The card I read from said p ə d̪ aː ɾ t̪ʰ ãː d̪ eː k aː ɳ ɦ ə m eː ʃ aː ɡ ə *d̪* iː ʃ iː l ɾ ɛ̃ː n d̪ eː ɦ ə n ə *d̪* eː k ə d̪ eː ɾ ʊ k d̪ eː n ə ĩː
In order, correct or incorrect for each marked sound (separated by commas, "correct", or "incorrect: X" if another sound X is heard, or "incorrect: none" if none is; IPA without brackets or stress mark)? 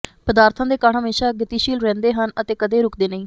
incorrect: t̪, incorrect: t̪